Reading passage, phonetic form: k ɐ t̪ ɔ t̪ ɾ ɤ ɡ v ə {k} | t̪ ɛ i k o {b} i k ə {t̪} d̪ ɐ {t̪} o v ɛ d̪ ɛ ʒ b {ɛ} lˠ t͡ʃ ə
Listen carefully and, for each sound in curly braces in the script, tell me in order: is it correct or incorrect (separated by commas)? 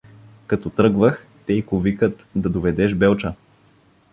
incorrect, incorrect, correct, incorrect, correct